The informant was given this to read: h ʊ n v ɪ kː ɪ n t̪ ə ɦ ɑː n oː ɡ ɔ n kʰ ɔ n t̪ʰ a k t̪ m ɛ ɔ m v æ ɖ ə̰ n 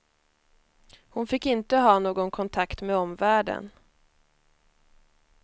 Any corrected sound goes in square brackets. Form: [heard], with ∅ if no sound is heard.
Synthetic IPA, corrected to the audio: h ʊ n [f] ɪ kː ɪ n t̪ ə ɦ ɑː n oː ɡ ɔ n kʰ ɔ n t̪ʰ a k t̪ m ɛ ɔ m v [æː] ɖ ə̰ n